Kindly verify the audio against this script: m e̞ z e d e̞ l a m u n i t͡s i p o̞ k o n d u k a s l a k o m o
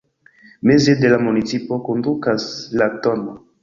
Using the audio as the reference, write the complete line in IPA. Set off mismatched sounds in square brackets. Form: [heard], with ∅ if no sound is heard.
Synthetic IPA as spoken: m e̞ z e d e̞ l a m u n i t͡s i p o̞ k o n d u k a s l a [t] o [n] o